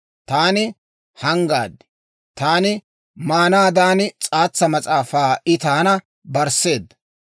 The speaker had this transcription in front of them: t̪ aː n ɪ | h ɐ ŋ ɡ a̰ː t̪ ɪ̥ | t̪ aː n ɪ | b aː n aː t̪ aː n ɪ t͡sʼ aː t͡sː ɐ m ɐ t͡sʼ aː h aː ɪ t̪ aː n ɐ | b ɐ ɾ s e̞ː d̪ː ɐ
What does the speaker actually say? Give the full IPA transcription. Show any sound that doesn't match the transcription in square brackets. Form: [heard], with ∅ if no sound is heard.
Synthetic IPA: t̪ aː n ɪ | h ɐ ŋ ɡ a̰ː [d̪] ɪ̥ | t̪ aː n ɪ | [m] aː n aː [d̪] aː n ɪ t͡sʼ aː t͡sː ɐ m ɐ t͡sʼ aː [f] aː ɪ t̪ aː n ɐ | b ɐ ɾ s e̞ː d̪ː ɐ